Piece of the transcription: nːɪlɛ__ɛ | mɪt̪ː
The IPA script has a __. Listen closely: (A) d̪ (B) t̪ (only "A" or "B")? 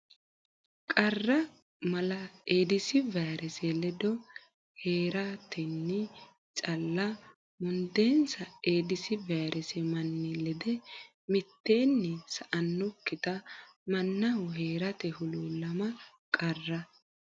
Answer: A